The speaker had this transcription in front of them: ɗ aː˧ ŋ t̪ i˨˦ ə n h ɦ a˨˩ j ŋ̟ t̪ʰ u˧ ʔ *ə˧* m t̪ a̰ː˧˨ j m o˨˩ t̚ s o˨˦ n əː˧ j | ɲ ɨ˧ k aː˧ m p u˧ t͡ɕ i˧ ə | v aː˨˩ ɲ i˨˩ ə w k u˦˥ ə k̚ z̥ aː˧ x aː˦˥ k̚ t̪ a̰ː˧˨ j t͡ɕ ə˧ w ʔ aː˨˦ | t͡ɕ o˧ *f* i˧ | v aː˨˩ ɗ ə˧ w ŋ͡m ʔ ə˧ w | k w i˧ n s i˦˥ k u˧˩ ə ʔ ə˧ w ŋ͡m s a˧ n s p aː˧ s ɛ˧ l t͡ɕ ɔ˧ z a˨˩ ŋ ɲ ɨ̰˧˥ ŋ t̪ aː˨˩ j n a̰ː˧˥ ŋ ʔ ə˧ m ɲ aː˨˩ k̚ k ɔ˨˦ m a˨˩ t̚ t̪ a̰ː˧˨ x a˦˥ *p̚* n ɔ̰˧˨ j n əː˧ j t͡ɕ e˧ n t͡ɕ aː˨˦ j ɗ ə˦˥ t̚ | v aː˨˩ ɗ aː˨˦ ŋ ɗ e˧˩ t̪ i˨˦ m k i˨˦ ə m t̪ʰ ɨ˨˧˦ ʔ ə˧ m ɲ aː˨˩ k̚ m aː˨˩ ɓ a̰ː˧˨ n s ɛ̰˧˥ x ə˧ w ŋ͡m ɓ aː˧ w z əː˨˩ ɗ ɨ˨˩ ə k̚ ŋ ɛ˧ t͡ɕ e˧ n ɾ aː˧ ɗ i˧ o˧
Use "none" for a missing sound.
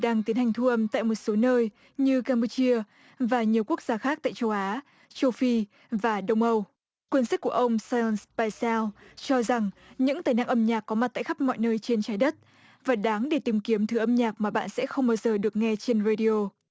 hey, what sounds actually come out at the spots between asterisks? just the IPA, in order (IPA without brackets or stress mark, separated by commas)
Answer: ə˧, f, p̚